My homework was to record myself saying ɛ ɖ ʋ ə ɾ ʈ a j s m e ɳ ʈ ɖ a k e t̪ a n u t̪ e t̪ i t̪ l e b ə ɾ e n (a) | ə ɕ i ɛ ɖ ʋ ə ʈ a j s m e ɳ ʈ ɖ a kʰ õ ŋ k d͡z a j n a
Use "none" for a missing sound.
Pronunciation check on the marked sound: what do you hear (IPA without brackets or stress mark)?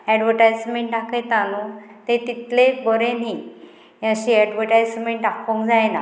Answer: i